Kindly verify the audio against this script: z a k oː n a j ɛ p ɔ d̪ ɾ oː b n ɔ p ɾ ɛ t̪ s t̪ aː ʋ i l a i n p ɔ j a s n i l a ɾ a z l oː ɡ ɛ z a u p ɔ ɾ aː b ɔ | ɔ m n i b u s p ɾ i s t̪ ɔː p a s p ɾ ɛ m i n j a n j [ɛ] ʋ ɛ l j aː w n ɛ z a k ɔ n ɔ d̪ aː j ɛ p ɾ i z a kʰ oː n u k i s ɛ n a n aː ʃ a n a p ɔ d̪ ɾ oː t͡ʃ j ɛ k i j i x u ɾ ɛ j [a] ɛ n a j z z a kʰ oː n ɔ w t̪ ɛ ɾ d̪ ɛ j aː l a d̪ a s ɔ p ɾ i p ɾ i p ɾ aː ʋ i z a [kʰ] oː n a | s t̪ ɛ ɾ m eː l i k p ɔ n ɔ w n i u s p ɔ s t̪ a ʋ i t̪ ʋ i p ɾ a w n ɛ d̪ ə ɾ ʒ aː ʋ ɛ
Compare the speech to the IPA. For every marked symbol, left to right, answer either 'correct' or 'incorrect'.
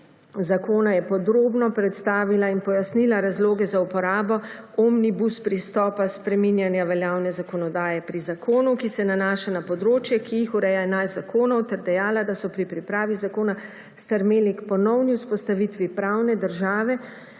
incorrect, correct, incorrect

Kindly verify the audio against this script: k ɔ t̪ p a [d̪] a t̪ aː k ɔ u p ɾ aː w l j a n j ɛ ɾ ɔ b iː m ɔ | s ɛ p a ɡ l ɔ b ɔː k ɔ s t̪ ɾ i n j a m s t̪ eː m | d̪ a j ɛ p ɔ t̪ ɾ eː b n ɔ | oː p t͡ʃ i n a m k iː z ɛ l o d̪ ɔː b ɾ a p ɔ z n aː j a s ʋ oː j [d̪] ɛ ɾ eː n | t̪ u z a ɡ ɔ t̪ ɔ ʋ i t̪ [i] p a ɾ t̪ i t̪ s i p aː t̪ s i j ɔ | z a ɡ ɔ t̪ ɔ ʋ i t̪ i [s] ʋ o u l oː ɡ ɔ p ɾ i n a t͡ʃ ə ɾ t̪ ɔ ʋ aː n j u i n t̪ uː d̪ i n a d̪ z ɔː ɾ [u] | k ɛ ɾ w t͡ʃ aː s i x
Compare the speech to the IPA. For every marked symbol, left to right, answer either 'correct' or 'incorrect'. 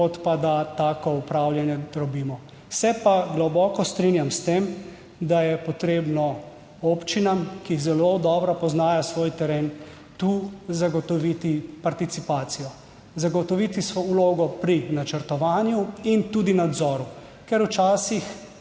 correct, incorrect, correct, correct, correct

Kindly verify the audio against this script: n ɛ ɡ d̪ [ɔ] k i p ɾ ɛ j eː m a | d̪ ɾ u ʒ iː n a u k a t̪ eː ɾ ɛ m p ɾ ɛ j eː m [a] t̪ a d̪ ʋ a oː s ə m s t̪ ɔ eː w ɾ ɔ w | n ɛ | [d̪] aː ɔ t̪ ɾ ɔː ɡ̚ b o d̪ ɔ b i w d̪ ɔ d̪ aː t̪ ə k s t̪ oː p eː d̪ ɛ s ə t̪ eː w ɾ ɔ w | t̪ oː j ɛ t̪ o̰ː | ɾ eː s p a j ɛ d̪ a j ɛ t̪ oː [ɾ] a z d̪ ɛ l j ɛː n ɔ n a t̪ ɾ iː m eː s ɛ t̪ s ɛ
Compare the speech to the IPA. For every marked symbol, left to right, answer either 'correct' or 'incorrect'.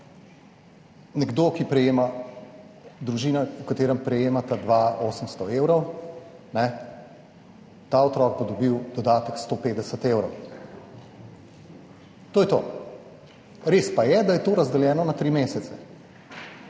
incorrect, correct, incorrect, correct

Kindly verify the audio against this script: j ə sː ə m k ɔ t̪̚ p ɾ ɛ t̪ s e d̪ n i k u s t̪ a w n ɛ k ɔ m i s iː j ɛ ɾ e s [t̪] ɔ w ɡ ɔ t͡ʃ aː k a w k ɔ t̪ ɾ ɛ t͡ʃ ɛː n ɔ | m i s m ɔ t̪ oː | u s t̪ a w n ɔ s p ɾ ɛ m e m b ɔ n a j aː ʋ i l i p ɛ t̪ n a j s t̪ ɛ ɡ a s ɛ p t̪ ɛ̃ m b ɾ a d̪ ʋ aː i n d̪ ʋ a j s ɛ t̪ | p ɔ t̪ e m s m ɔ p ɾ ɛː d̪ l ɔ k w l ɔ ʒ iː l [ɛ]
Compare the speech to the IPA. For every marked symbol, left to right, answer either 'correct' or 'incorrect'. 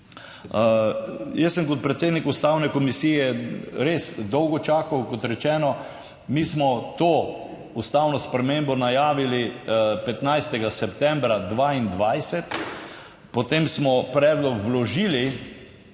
incorrect, incorrect

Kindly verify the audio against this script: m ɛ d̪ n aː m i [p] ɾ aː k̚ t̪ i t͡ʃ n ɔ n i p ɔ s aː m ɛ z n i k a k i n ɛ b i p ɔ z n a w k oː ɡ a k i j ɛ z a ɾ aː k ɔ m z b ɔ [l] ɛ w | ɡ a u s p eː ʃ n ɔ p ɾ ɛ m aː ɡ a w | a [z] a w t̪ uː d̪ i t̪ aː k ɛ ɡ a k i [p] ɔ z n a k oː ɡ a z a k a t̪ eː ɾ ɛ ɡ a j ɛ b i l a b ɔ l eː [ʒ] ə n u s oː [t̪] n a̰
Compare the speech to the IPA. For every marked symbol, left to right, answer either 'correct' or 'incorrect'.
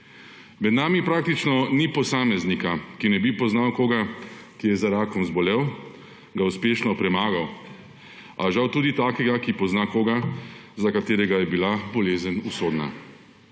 correct, correct, incorrect, correct, incorrect, incorrect

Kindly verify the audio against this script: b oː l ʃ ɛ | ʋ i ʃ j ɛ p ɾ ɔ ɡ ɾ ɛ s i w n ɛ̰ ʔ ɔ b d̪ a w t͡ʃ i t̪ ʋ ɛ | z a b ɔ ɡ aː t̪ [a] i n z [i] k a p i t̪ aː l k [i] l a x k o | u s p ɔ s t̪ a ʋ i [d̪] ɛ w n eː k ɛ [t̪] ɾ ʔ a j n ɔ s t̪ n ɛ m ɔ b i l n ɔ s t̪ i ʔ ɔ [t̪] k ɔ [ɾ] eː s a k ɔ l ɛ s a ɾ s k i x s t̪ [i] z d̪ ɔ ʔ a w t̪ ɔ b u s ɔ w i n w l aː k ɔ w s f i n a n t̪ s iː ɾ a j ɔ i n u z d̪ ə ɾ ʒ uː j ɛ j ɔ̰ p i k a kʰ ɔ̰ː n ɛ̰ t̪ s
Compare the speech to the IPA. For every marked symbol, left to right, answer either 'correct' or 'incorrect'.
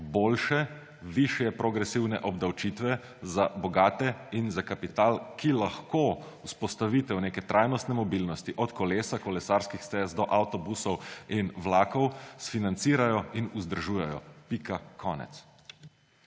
incorrect, incorrect, correct, incorrect, correct, correct, incorrect, incorrect

